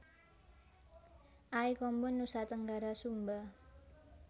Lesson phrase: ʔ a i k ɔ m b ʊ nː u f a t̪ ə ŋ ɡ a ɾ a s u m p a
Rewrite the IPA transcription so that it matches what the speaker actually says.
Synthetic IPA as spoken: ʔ a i k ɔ m b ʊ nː u s a t̪ ə ŋ ɡ a ɾ a s u m b a